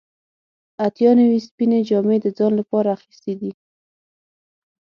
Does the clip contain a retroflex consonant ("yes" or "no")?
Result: no